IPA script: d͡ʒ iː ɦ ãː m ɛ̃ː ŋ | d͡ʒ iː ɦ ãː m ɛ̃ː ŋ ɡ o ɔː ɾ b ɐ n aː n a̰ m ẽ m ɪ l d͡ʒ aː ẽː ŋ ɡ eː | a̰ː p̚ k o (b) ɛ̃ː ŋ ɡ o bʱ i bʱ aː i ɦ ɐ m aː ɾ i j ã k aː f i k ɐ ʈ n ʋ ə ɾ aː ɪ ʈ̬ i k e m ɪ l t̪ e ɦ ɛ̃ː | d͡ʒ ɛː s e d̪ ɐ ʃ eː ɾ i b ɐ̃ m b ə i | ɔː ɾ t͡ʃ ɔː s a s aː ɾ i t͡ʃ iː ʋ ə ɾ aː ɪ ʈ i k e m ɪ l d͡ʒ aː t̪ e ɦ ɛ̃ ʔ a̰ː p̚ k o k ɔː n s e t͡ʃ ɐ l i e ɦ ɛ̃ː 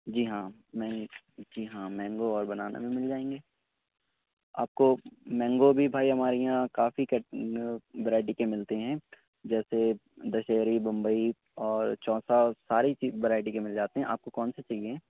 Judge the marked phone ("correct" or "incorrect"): incorrect